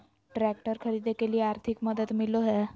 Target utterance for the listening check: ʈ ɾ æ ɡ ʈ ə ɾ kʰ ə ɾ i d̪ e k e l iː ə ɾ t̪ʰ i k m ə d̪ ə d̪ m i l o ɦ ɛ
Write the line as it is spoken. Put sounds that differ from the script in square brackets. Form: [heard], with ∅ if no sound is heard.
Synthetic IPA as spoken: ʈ ɾ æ [k] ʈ ə ɾ kʰ ə ɾ i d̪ e k e l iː [a] ɾ t̪ʰ i k m ə d̪ ə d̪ m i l o ɦ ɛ

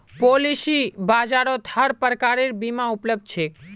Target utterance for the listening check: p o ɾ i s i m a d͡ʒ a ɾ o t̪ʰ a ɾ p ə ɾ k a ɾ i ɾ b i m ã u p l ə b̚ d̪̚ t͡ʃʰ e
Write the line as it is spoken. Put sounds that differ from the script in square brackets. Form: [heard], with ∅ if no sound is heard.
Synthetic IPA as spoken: p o [l] i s i [b] a d͡ʒ a ɾ o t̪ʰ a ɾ p ə ɾ k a ɾ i ɾ b i m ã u p l ə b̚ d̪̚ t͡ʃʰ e

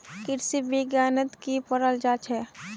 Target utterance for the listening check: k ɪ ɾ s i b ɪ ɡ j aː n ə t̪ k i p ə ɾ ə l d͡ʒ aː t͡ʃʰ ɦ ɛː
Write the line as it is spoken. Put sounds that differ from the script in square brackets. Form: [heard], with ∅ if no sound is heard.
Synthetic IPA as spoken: k ɪ ɾ s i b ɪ ɡ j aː n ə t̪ k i p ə ɾ ə l d͡ʒ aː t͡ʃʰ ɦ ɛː

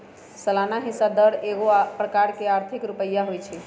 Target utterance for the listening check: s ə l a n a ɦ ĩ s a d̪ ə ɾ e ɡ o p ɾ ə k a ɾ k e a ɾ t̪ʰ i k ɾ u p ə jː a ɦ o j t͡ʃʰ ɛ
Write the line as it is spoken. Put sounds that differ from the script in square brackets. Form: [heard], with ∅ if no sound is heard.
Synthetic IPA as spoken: s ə l a n a ɦ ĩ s a d̪ ə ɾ e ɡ o p ɾ ə k a ɾ k e a ɾ t̪ʰ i k ɾ u p ə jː a ɦ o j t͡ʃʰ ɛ

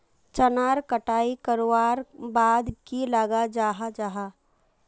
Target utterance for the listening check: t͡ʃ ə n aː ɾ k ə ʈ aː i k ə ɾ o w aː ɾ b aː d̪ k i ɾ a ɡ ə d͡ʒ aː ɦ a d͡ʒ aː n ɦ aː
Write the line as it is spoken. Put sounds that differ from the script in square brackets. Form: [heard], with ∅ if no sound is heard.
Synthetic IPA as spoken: t͡ʃ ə n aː ɾ k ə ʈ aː i k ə ɾ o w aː ɾ b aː d̪ k i [l] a ɡ [a] d͡ʒ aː ɦ a d͡ʒ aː [∅] ɦ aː

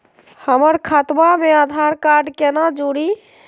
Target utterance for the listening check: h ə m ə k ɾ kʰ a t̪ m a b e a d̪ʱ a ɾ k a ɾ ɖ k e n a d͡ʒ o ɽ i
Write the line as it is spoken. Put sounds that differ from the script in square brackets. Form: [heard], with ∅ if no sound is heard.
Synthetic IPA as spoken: h ə m ə [∅] ɾ kʰ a t̪ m a [m] e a d̪ʱ a ɾ k a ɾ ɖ k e n a d͡ʒ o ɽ i

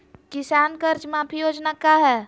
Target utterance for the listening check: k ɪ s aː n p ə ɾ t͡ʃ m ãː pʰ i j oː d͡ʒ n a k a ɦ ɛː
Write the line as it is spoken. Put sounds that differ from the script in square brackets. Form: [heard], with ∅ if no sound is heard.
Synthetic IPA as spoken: k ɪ s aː n [k] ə ɾ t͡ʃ m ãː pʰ i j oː d͡ʒ n a k a ɦ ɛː

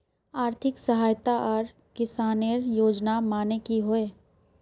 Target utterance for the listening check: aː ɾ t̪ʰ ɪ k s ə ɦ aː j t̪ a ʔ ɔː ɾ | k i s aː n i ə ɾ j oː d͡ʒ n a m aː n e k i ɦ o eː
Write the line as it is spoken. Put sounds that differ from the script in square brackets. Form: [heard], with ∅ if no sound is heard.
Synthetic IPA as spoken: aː ɾ t̪ʰ ɪ k s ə ɦ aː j t̪ a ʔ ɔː ɾ | k [ɪ] s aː n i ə ɾ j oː d͡ʒ n a m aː n e k i ɦ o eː

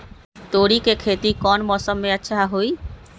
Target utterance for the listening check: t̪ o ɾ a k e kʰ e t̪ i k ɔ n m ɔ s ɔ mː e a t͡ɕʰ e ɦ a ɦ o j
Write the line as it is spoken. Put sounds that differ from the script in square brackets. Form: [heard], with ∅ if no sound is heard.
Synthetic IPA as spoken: t̪ o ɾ [i] k e kʰ e t̪ i k ɔ n m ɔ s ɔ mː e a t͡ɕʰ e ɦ a ɦ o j

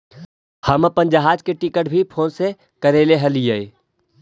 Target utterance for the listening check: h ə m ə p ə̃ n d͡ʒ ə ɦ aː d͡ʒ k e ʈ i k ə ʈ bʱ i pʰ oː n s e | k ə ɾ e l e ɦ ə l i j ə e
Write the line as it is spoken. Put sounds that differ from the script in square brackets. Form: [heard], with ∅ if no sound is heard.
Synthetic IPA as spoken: h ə m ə p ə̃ n d͡ʒ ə ɦ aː d͡ʒ k e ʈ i k ə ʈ bʱ i pʰ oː n s e | k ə ɾ e l e ɦ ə l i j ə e

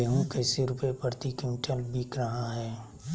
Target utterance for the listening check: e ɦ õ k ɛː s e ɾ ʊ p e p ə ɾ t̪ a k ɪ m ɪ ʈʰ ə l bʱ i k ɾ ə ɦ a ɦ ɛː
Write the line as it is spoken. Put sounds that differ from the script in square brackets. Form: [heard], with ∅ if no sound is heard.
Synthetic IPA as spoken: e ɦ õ k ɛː s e ɾ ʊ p e p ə ɾ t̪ [i] k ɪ m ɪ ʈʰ ə l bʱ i k ɾ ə ɦ a ɦ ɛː

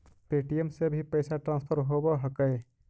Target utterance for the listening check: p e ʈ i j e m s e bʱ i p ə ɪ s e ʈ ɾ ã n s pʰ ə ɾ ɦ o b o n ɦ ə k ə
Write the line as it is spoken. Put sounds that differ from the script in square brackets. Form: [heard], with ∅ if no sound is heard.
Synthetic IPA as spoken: p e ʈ i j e m s e bʱ i p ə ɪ s [a] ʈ ɾ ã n s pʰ ə ɾ ɦ o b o [∅] ɦ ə k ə

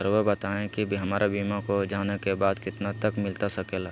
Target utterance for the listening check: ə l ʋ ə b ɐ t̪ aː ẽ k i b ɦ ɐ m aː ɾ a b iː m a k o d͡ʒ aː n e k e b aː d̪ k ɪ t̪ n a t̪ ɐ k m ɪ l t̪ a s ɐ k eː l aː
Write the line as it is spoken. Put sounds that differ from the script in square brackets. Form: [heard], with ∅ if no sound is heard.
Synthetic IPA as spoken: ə [ɾ] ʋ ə b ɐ t̪ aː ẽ k i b ɦ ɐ m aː ɾ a b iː m a k o d͡ʒ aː n e k e b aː d̪ k ɪ t̪ n a t̪ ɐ k m ɪ l t̪ a s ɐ k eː l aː

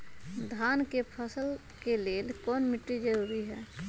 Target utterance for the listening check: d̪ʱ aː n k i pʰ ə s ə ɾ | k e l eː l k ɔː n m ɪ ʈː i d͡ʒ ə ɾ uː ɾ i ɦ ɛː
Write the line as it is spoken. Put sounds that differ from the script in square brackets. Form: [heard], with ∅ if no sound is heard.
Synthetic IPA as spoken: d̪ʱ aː n k [e] pʰ ə s ə [l] | k e l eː l k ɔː n m ɪ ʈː i d͡ʒ ə ɾ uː ɾ i ɦ ɛː

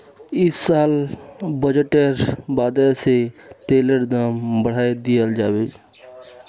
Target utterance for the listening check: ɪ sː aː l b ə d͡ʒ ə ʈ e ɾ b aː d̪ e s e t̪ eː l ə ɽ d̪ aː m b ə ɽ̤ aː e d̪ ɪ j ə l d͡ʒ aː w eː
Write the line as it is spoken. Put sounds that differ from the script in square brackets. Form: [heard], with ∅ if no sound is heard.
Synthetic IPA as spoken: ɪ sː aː l b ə d͡ʒ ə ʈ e ɾ b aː d̪ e s e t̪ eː l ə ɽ d̪ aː m b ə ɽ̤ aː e d̪ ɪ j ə l d͡ʒ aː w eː

